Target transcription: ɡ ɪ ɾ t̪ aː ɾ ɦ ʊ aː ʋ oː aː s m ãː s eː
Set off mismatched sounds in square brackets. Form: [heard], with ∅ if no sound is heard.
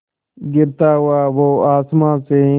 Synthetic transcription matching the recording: ɡ ɪ ɾ t̪ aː [∅] ɦ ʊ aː ʋ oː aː s m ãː s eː

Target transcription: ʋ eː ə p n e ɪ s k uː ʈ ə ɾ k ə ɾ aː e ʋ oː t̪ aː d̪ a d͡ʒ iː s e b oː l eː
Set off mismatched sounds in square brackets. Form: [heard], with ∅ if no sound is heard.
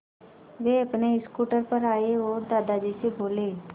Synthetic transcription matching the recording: ʋ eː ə p n e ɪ s k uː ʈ ə ɾ [p] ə ɾ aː e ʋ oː [d̪] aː d̪ a d͡ʒ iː s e b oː l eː

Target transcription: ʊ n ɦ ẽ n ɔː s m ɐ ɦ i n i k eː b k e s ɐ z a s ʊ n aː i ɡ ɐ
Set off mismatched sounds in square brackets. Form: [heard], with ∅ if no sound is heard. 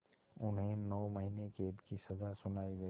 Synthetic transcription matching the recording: ʊ n ɦ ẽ n ɔː [∅] m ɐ ɦ i n [e] k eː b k [i] s ɐ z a s ʊ n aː i ɡ ɐ

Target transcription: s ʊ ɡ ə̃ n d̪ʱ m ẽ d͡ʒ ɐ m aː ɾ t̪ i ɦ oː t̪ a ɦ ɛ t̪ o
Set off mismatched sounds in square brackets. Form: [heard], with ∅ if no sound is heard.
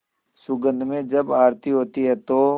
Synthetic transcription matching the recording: s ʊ ɡ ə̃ n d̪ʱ m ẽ d͡ʒ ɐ [b] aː ɾ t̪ i ɦ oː t̪ [i] ɦ ɛ t̪ o

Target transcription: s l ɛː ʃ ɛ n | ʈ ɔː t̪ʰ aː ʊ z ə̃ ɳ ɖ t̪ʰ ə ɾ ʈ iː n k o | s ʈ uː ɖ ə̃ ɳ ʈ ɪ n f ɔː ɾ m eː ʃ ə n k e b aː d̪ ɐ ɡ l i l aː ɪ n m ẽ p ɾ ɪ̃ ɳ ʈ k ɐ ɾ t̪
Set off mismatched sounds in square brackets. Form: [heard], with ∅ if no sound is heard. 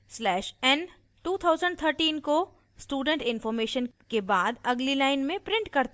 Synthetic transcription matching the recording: s l ɛː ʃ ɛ n | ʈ [uː] t̪ʰ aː ʊ z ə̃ ɳ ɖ t̪ʰ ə ɾ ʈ iː n k o | s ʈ uː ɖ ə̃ ɳ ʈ ɪ n f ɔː ɾ m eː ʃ ə n k e b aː d̪ ɐ ɡ l i l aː ɪ n m ẽ p ɾ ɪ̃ ɳ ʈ k ɐ ɾ t̪

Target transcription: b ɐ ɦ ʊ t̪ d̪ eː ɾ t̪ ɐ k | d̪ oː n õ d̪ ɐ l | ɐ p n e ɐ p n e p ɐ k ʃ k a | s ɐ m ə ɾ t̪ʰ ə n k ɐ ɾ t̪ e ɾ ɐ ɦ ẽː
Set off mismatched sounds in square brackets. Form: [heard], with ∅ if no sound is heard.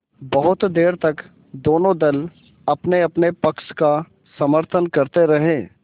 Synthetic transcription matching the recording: b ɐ ɦ ʊ t̪ d̪ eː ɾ t̪ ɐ k | d̪ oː n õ d̪ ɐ l | ɐ p n e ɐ p n e p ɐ k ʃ k a | s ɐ m ə ɾ t̪ʰ ə n k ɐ ɾ t̪ e ɾ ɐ ɦ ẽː

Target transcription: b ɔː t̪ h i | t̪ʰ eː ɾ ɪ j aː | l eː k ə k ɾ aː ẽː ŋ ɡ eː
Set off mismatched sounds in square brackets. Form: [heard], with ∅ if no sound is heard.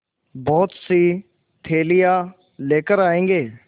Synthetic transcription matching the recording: b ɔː t̪ [s] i | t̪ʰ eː [l] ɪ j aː | l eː k ə [∅] ɾ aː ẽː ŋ ɡ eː

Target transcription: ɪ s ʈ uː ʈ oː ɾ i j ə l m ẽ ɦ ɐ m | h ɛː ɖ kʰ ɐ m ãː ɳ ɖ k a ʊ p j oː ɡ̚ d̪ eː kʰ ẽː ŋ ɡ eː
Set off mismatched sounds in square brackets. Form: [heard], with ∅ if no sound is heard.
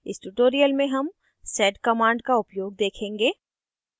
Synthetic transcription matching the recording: ɪ s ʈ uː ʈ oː ɾ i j ə l m ẽ ɦ ɐ m | [s] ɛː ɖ [k] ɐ m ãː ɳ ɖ k a ʊ p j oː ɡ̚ d̪ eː kʰ ẽː ŋ ɡ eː

